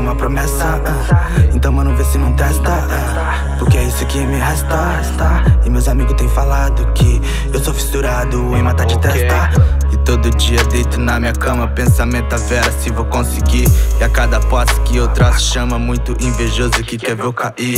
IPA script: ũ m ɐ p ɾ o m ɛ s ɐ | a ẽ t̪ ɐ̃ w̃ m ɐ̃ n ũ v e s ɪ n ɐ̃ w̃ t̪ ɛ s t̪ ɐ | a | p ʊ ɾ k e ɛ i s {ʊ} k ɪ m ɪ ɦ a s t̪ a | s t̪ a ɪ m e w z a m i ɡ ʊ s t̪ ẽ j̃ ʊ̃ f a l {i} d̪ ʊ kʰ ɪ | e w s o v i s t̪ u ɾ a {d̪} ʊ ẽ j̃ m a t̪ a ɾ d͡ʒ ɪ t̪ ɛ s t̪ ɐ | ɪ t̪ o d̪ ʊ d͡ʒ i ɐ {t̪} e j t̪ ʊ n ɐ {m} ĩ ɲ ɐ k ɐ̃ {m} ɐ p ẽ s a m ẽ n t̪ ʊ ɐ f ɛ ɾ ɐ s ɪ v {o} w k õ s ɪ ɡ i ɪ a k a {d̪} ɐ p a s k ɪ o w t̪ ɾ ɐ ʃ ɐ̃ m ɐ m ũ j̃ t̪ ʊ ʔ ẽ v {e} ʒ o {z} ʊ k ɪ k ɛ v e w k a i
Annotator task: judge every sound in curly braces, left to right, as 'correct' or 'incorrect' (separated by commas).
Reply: correct, incorrect, correct, incorrect, correct, correct, correct, correct, correct, correct